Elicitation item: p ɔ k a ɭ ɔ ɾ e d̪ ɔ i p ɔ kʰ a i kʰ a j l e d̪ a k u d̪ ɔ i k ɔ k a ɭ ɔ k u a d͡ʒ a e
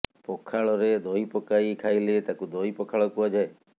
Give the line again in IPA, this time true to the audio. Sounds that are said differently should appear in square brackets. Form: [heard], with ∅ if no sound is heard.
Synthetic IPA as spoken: p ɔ [kʰ] a ɭ ɔ ɾ e d̪ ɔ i p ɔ [k] a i kʰ a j l e [t̪] a k u d̪ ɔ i [p] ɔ [kʰ] a ɭ ɔ k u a d͡ʒ a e